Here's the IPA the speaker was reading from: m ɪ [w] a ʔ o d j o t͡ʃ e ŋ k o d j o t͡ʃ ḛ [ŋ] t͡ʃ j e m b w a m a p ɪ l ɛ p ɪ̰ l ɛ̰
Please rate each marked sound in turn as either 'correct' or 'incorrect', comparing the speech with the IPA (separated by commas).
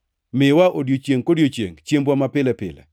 correct, correct